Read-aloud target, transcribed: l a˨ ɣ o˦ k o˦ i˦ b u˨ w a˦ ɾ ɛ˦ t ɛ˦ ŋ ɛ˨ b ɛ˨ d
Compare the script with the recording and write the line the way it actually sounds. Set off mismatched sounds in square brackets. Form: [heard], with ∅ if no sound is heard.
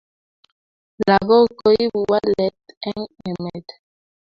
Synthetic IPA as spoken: l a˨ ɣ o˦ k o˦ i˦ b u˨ w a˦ [l] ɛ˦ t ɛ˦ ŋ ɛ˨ [m] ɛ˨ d

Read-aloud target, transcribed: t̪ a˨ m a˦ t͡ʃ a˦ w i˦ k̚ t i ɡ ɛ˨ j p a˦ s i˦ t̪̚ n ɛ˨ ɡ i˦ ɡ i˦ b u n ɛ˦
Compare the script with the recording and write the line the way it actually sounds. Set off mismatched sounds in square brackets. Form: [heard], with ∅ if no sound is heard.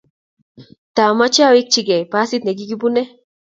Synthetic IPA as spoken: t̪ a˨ m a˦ t͡ʃ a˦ w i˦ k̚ [t͡ʃ] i ɡ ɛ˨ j p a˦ s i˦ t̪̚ n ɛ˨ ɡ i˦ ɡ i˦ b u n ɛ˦

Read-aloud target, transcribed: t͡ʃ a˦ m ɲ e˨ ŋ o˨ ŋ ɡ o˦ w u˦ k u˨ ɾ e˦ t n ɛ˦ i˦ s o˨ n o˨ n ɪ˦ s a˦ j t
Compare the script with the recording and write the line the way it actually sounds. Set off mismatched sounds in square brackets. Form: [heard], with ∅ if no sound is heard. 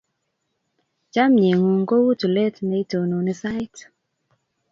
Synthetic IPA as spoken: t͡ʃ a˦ m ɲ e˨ ŋ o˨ ŋ ɡ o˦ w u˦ [t] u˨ [l] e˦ t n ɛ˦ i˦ [t] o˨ n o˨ n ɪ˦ s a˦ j t

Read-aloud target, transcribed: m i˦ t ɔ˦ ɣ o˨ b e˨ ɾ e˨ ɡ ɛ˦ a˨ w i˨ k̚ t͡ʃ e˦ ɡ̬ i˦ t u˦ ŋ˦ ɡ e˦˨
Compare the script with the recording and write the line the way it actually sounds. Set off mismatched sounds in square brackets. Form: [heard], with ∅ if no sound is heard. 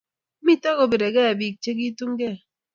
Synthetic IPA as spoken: m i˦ t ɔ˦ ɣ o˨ b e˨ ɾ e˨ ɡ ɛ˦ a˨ [b] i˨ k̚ t͡ʃ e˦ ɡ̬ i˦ t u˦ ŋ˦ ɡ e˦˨

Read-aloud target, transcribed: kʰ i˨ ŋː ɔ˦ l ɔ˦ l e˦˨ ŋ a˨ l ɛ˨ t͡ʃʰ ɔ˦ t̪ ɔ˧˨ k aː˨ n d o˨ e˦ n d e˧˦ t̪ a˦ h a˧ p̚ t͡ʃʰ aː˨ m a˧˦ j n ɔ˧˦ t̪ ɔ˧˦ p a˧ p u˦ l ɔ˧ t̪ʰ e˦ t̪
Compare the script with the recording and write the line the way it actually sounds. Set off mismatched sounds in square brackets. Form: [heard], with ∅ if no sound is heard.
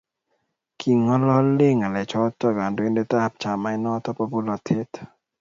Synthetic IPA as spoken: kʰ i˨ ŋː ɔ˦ l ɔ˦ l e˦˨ ŋ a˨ l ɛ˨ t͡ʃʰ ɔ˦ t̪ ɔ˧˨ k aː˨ n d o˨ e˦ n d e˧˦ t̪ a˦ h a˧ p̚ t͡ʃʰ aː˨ m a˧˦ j n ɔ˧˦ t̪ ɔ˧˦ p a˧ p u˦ l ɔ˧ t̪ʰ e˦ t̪

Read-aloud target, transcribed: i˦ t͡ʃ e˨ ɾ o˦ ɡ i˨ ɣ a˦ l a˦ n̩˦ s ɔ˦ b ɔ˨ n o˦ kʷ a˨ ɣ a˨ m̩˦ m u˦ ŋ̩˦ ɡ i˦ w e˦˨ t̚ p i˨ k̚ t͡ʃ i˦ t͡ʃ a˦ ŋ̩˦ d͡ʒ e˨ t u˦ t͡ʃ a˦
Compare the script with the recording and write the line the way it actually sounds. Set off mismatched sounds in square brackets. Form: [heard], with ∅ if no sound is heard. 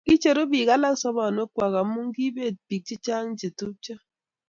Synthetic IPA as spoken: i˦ t͡ʃ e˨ ɾ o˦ [b] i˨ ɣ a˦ l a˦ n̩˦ s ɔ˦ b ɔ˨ n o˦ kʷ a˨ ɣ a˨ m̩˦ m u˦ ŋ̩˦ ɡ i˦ [b] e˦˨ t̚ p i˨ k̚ t͡ʃ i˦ t͡ʃ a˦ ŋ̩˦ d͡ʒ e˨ t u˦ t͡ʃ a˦

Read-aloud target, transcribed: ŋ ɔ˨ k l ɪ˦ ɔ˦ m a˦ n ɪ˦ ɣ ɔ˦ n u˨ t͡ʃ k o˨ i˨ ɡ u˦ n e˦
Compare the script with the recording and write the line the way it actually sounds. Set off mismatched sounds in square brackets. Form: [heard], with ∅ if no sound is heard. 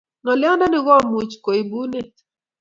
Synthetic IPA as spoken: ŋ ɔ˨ [∅] l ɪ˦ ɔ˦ [n] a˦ n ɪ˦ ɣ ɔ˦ [m] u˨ t͡ʃ k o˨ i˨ [b] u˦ n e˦

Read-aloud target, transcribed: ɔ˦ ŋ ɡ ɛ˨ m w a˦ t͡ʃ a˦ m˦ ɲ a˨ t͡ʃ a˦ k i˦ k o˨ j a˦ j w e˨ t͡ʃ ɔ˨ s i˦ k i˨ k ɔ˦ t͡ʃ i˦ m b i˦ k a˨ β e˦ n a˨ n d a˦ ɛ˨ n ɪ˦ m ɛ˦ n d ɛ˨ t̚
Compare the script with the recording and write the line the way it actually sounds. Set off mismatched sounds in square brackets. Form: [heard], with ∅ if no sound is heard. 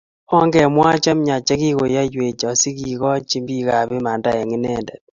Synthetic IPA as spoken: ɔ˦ ŋ ɡ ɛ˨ m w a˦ t͡ʃ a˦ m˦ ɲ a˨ t͡ʃ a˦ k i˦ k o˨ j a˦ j w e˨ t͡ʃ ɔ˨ s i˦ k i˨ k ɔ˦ t͡ʃ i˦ m b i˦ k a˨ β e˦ [m] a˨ n d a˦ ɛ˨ [ŋ] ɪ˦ [n] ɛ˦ n d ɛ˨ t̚

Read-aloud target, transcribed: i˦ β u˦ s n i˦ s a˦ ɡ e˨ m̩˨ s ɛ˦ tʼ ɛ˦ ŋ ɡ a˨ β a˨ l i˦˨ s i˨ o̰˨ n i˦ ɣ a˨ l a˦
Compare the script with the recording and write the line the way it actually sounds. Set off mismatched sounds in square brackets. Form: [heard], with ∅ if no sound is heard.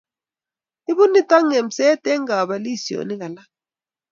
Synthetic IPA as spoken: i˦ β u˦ [∅] n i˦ [t] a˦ [ŋ] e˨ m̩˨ s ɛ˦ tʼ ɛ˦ ŋ ɡ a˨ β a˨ l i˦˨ s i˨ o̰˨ n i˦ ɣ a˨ l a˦

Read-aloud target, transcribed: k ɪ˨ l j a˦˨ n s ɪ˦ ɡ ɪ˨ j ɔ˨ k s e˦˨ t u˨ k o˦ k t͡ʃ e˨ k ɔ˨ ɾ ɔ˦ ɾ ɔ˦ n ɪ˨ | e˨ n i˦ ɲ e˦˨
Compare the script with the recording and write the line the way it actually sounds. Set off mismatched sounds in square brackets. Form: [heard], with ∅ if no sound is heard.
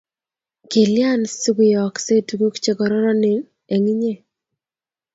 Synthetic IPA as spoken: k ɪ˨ l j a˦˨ n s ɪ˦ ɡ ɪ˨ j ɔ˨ k s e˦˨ t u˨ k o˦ k t͡ʃ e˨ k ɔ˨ ɾ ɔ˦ ɾ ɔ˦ n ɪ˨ | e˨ [ŋ] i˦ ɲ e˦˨

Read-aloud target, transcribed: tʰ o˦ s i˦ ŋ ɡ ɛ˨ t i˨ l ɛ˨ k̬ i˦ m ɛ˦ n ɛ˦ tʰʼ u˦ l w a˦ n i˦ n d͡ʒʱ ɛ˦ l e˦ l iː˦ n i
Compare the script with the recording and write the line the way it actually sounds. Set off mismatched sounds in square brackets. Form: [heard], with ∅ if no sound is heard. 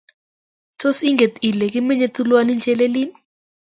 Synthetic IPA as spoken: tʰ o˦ s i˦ ŋ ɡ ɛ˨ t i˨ l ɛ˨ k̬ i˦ m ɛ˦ [ɲ] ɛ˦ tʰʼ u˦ l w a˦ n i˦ n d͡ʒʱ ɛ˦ l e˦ l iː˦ n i

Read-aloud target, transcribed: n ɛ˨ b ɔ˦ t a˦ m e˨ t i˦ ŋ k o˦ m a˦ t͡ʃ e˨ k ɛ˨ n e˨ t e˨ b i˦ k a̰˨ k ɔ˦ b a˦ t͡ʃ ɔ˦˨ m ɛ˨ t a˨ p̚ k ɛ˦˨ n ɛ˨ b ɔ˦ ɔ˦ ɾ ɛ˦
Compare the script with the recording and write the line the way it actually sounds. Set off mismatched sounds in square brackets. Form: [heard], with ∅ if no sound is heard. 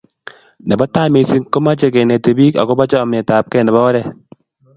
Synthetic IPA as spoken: n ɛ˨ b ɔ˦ t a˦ m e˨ [s] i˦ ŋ k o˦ m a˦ t͡ʃ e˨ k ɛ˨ n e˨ t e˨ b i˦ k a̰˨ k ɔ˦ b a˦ t͡ʃ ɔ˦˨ m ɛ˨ t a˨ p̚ k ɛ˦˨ n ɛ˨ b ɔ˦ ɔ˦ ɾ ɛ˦

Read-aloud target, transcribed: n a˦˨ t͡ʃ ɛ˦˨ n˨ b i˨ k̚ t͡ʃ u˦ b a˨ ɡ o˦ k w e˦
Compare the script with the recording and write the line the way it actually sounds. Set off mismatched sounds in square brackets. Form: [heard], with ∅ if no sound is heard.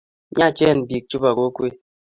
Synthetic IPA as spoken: [ɲ] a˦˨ t͡ʃ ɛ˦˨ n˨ b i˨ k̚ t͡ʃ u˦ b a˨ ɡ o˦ k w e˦

